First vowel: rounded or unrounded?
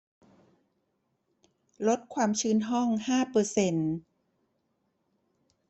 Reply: rounded